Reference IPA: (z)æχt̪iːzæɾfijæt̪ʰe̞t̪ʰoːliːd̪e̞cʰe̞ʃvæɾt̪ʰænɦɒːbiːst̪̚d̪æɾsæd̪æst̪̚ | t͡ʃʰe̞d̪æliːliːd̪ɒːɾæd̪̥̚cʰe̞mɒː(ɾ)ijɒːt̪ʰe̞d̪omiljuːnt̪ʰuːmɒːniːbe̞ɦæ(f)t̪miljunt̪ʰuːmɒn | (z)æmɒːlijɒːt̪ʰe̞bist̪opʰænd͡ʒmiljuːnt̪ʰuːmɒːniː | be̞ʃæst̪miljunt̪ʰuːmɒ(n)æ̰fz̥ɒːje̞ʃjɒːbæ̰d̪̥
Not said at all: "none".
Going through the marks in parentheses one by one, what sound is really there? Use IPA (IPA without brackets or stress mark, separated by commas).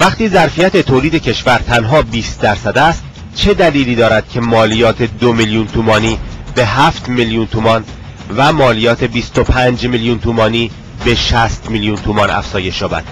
v, l, f, v, n